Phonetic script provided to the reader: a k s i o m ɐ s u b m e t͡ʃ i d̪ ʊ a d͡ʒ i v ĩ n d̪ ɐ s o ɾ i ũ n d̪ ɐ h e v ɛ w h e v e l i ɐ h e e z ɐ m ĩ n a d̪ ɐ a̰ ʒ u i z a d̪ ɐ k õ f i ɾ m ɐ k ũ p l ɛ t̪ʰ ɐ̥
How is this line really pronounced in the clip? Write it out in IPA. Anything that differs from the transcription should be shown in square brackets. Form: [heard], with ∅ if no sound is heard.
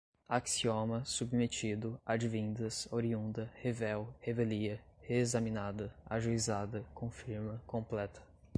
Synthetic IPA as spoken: a k s i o m ɐ s u b m e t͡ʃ i d̪ ʊ a d͡ʒ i v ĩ n d̪ ɐ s o ɾ i ũ n d̪ ɐ h e v ɛ w h e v e l i ɐ h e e z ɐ m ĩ n a d̪ ɐ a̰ ʒ u i z a d̪ ɐ k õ f i ɾ m ɐ k [õ] p l ɛ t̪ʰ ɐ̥